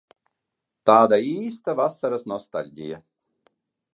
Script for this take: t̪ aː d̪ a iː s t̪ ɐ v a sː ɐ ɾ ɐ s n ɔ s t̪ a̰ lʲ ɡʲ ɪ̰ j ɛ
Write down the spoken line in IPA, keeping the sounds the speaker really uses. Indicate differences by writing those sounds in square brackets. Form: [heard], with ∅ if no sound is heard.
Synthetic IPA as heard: t̪ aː d̪ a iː s t̪ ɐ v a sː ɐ ɾ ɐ s n ɔ s t̪ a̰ lʲ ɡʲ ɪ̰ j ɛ